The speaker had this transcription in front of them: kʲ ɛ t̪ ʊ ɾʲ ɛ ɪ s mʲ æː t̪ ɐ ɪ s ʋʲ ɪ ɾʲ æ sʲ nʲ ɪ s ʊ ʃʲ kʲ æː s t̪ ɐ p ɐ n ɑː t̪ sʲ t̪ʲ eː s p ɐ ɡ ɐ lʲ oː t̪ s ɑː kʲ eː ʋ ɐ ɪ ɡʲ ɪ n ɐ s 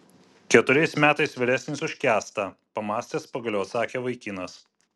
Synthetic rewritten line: kʲ ɛ t̪ ʊ ɾʲ ɛ ɪ s mʲ æː t̪ ɐ ɪ s ʋʲ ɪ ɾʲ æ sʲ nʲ ɪ s ʊ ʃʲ kʲ æː s t̪ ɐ p ɐ m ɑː sʲ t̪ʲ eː s p ɐ ɡ ɐ lʲ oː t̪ s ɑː kʲ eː ʋ ɐ ɪ kʲ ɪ n ɐ s